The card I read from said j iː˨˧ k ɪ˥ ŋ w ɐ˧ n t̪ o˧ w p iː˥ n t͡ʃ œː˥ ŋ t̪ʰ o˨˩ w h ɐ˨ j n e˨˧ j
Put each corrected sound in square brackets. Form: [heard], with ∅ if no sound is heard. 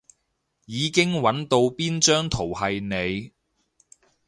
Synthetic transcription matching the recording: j iː˨˧ k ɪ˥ ŋ w [ɐ˨˥] n t̪ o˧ w p iː˥ n t͡ʃ œː˥ ŋ t̪ʰ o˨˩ w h ɐ˨ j n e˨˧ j